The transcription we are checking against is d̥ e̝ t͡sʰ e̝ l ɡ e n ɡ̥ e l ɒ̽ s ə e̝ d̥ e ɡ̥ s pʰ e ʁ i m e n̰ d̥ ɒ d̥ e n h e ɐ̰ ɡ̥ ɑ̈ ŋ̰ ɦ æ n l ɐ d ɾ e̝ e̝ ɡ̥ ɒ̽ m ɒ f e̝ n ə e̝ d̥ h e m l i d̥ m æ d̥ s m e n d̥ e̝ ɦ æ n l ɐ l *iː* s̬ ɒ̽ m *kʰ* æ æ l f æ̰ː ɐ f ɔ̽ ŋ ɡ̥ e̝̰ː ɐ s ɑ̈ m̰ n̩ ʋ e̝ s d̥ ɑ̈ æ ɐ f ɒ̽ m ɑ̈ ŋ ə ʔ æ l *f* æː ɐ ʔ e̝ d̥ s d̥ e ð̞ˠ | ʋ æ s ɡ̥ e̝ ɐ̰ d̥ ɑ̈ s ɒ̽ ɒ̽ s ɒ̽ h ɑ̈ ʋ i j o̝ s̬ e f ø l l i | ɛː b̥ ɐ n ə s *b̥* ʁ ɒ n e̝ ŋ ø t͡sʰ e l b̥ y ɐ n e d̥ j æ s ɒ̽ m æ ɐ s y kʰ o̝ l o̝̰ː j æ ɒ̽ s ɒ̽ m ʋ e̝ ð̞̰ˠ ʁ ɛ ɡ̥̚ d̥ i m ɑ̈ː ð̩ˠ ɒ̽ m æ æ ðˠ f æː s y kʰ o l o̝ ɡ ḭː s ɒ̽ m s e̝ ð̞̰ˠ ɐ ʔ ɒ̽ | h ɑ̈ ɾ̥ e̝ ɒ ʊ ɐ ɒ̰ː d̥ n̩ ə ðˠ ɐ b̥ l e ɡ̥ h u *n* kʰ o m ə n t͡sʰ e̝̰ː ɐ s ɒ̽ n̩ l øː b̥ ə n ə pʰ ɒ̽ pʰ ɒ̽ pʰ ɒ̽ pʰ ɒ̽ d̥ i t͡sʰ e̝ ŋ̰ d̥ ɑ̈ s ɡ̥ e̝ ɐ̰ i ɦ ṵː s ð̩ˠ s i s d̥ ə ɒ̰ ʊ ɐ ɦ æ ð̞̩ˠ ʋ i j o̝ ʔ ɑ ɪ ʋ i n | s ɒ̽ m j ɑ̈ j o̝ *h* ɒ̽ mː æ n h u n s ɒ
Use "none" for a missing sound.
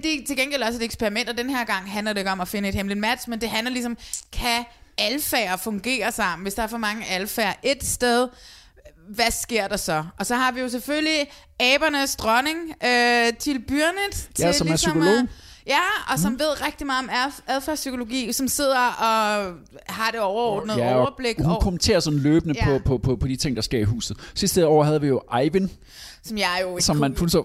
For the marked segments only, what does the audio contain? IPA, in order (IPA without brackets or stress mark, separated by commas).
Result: i, kʰ, f, d̥, n, s